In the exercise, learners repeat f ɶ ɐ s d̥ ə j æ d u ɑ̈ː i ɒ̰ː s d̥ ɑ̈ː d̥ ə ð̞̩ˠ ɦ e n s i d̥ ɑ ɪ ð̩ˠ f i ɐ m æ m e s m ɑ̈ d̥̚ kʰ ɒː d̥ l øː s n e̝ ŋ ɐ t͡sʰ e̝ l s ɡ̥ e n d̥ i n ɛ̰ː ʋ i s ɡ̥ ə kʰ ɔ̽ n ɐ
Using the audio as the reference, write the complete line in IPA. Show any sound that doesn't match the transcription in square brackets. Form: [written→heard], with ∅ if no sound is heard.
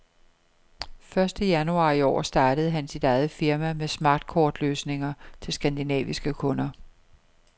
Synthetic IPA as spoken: f ɶ ɐ s d̥ ə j æ [d→n] u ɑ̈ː i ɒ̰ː s d̥ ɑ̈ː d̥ ə ð̞̩ˠ ɦ [e→æ] n s i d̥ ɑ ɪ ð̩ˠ f i ɐ m æ m e s m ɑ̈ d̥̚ kʰ ɒː d̥ l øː s n e̝ ŋ ɐ t͡sʰ e̝ l s ɡ̥ [e→æ] n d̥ i n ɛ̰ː ʋ i s ɡ̥ ə kʰ ɔ̽ n ɐ